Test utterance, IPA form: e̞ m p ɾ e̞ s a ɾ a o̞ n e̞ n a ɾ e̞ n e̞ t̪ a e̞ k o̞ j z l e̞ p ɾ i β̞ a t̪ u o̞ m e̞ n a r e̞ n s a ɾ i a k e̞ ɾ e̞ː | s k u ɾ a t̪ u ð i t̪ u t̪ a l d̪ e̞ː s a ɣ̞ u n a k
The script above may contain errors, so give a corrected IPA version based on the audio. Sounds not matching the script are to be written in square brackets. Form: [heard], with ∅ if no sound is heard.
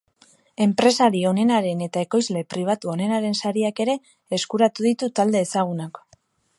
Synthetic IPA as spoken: e̞ m p ɾ e̞ s a ɾ [i] o̞ n e̞ n a ɾ e̞ n e̞ t̪ a e̞ k o̞ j z l e̞ p ɾ i β̞ a t̪ u o̞ [n] e̞ n a [ɾ] e̞ n s a ɾ i a k e̞ ɾ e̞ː | s k u ɾ a t̪ u ð i t̪ u t̪ a l d̪ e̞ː s a ɣ̞ u n a k